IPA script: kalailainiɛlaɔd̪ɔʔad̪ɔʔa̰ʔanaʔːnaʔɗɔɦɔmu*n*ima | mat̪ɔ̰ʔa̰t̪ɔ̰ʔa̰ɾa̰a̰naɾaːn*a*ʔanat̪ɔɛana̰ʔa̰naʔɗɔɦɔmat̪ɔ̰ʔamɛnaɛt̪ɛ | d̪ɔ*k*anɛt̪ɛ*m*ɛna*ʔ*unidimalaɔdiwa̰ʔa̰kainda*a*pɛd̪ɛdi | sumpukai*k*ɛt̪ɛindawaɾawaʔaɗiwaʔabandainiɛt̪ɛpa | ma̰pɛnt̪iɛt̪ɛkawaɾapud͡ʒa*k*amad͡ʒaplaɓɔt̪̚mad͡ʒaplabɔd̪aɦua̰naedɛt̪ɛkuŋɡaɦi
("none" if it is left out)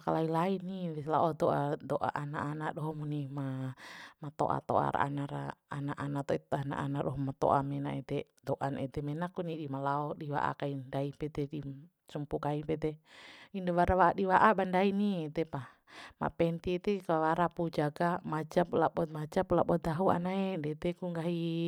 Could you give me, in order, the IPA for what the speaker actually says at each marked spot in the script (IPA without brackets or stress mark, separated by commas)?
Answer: n, a, ʔ, m, k, i, p, ɡ